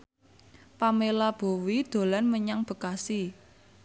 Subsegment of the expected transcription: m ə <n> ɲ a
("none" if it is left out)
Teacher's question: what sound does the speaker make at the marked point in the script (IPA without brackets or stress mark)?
none